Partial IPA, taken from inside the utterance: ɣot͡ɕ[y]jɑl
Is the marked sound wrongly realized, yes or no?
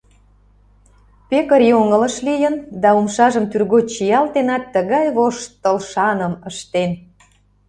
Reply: yes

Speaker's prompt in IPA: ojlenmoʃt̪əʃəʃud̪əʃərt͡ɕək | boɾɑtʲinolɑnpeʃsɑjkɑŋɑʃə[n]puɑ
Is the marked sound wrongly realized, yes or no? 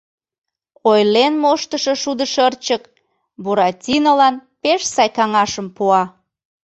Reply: yes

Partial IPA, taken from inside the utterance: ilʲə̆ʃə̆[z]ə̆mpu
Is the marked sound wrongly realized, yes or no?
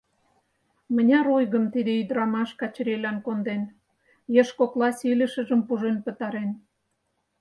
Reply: yes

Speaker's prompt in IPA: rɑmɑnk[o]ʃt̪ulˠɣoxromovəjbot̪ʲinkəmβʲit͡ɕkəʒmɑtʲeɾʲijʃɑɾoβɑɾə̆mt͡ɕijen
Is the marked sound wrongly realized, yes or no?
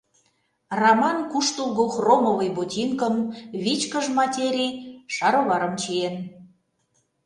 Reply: yes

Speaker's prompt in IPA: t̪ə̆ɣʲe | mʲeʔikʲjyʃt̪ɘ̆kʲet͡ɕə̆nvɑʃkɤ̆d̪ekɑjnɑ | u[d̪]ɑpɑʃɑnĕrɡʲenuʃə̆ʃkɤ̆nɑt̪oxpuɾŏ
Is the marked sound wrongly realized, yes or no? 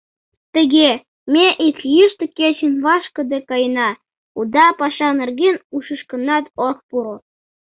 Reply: no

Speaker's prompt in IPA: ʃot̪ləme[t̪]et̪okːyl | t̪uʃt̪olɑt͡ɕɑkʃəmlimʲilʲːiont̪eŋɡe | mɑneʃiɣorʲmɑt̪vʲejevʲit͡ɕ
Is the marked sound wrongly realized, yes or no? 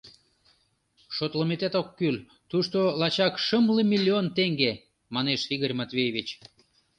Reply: no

